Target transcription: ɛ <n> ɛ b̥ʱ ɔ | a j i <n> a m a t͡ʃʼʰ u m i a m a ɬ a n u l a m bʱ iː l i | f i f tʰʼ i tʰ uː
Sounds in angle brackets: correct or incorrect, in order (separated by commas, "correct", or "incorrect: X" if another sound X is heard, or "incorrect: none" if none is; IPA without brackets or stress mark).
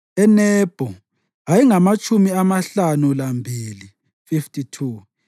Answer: correct, incorrect: ŋ